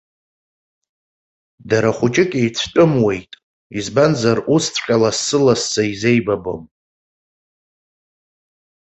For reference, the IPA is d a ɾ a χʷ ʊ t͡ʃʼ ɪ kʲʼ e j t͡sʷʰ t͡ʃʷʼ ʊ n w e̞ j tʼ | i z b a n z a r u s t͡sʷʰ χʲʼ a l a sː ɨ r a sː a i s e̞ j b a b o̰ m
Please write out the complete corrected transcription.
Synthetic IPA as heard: d a ɾ a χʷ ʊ t͡ʃʼ ɪ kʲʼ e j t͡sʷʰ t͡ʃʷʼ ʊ m w e̞ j tʼ | i z b a n z a r u s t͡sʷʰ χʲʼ a l a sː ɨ l a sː a i z e̞ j b a b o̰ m